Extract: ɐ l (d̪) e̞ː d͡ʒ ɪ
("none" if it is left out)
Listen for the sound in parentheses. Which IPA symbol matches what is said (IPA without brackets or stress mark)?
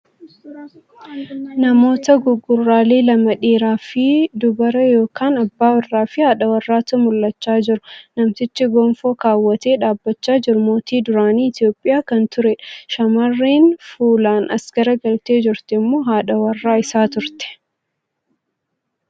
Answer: t̪